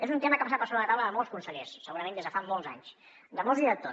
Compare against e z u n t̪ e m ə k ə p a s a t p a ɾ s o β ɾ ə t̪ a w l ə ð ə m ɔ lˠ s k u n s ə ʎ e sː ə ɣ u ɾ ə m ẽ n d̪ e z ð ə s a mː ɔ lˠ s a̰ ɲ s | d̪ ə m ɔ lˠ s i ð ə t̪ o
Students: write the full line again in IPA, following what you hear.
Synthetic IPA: e z u n t̪ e m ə k ə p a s a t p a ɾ s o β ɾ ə t̪ a w l ə ð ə m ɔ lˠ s k u n s ə ʎ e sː ə ɣ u ɾ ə m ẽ n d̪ e z ð ə f a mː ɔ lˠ z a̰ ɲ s | d̪ ə m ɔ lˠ z i ð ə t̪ o